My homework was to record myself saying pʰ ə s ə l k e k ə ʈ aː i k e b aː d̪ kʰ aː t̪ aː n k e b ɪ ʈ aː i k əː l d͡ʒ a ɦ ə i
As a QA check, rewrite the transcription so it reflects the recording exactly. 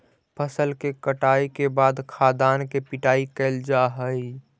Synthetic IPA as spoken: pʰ ə s ə l k e k ə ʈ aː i k e b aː d̪ kʰ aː d̪ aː n k e p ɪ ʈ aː i k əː l d͡ʒ a ɦ ə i